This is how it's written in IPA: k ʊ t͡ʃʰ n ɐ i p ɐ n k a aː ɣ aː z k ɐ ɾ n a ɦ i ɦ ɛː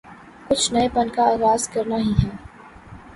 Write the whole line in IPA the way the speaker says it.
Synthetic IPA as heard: k ʊ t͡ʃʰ n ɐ e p ɐ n k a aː ɣ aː z k ɐ ɾ n a ɦ i ɦ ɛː

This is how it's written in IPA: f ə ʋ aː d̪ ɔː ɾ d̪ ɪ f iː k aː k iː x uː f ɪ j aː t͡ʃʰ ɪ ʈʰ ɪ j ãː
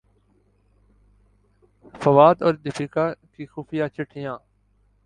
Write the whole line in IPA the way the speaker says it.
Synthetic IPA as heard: f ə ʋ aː d̪ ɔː ɾ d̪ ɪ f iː k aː k iː x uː f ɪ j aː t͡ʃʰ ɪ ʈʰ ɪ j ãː

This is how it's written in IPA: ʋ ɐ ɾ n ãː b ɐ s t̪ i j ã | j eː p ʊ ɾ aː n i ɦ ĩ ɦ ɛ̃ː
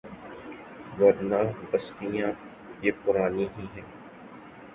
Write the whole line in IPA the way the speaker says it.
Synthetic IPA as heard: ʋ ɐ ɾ n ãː b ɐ s t̪ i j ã | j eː p ʊ ɾ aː n i ɦ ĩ ɦ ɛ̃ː

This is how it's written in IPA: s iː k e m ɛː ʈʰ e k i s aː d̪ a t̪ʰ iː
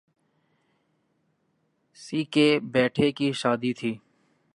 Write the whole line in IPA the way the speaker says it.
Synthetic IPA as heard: s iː k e b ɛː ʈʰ e k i ʃ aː d̪ i t̪ʰ iː

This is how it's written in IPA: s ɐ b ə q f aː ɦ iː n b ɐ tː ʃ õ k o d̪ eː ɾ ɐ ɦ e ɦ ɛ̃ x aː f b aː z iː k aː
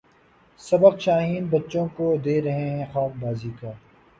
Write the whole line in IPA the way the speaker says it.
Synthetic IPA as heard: s ɐ b ə q ʃ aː ɦ iː n b ɐ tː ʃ õ k o d̪ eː ɾ ɐ ɦ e ɦ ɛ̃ x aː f b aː z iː k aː

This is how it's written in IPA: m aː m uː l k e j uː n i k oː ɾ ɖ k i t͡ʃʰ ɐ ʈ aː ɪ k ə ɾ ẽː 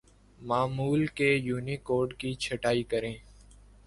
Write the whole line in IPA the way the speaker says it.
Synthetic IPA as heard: m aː m uː l k e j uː n i k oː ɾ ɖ k i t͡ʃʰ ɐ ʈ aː i k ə ɾ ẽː

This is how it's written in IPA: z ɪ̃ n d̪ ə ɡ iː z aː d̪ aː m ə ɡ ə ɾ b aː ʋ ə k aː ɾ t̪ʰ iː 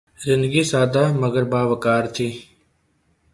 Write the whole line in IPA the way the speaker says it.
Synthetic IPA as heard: z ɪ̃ n d̪ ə ɡ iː s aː d̪ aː m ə ɡ ə ɾ b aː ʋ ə k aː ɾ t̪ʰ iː

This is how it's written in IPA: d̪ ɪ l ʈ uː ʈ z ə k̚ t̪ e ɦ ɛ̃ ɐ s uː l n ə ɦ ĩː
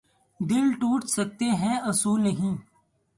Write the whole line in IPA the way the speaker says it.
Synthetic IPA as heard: d̪ ɪ l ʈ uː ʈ s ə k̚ t̪ e ɦ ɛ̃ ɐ s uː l n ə ɦ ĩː

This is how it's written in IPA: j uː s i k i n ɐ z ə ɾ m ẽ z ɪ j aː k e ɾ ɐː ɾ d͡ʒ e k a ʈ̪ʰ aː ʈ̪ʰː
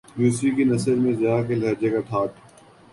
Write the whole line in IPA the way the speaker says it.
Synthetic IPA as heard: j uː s i k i n ɐ s ə ɾ m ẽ z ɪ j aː k e l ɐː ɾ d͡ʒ e k a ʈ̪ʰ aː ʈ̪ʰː

